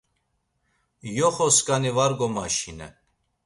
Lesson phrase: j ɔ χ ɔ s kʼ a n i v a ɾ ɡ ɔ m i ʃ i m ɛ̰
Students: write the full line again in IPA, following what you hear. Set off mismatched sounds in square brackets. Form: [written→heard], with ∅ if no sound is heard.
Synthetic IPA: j ɔ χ ɔ s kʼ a n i v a ɾ ɡ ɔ m [i→a] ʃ i [m→n] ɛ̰